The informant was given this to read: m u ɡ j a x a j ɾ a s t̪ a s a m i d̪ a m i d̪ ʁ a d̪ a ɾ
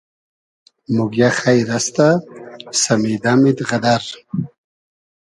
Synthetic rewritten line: m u ɡ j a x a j ɾ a s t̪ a s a m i d̪ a m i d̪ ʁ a d̪ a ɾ